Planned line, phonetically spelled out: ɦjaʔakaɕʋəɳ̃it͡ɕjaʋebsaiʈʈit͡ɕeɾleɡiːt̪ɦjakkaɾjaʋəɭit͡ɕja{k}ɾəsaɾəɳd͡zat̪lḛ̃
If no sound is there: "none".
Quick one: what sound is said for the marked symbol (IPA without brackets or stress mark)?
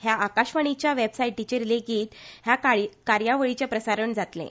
p